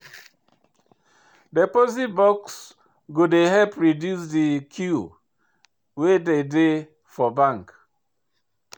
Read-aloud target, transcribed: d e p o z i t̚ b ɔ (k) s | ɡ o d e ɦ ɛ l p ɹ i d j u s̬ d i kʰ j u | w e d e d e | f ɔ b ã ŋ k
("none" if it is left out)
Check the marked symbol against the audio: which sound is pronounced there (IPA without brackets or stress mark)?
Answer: k